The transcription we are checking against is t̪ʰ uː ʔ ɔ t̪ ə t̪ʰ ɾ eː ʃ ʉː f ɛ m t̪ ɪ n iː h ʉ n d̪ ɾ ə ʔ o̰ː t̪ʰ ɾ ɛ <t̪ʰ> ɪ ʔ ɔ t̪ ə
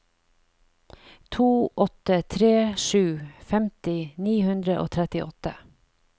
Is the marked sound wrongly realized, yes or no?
yes